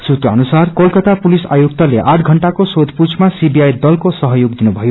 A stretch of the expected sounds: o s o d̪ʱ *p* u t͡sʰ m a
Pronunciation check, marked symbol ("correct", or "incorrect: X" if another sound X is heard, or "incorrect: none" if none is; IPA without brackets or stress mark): correct